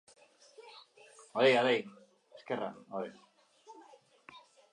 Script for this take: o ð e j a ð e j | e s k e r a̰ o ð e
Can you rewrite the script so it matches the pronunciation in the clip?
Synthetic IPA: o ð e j a ð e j | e s k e r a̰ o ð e